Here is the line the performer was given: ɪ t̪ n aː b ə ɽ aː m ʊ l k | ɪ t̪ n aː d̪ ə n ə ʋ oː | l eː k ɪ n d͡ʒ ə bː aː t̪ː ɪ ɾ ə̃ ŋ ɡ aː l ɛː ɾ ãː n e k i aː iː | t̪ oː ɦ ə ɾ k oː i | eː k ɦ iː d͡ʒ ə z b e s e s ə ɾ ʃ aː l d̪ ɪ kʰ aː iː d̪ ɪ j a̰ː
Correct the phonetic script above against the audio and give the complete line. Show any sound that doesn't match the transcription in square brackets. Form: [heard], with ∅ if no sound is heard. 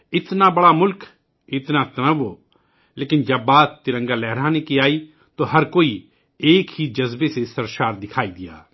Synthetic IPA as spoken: ɪ t̪ n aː b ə ɽ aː m ʊ l k | ɪ t̪ n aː [t̪] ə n ə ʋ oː | l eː k ɪ n d͡ʒ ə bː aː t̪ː ɪ ɾ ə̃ ŋ ɡ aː l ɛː ɾ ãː n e k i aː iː | t̪ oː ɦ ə ɾ k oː i | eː k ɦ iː d͡ʒ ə z b e s e s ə ɾ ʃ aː [ɾ] d̪ ɪ kʰ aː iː d̪ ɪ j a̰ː